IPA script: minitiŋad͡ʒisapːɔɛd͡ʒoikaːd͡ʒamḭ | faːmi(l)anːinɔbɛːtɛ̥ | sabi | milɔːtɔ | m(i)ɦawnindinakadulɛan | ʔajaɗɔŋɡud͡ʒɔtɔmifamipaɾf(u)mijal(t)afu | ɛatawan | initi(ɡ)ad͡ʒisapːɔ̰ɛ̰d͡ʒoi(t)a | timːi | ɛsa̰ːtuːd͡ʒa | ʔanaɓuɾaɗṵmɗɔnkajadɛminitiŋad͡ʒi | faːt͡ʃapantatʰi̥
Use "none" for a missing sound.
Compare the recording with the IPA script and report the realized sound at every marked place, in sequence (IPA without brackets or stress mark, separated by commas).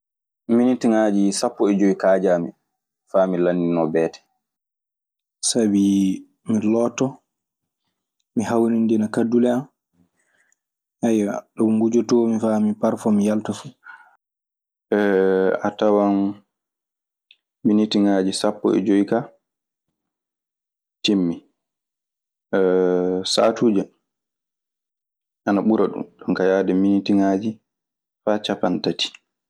l, i, ɔ, t, ŋ, k